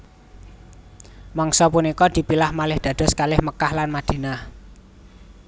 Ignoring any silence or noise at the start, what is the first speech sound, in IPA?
m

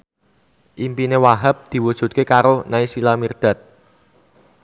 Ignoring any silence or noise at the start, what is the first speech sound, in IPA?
ʔ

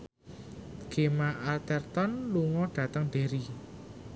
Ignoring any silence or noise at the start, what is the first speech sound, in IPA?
ɡ̥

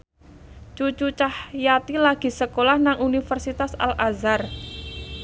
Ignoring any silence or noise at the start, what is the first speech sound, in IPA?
t͡ʃ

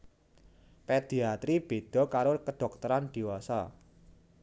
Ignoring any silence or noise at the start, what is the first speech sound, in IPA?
p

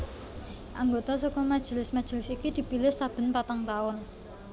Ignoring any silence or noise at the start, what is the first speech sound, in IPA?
ʔ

